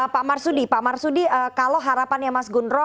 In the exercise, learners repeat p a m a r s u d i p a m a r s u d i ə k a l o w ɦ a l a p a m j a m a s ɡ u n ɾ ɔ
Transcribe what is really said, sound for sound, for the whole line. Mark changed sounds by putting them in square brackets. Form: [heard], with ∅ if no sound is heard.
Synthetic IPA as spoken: p a m a r s u d i p a m a r s u d i ə k a l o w ɦ a [ɾ] a p a [n] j a m a s ɡ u n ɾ ɔ